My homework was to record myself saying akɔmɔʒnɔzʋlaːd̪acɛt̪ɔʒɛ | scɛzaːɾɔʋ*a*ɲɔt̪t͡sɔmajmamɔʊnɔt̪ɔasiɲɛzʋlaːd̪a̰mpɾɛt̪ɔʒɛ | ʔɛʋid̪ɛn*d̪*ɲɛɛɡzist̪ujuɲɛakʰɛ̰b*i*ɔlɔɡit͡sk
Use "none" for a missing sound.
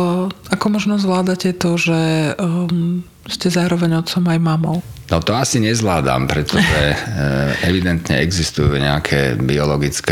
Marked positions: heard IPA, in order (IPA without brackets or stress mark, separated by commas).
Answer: ɛ, t̪, i